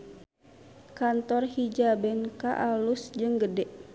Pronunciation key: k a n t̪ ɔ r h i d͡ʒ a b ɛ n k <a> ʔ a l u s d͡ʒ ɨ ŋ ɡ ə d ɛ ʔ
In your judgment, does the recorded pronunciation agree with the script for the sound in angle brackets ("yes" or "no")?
yes